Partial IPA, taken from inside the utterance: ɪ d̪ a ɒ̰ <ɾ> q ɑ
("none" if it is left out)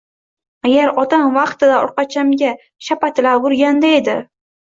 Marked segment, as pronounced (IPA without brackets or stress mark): ɾ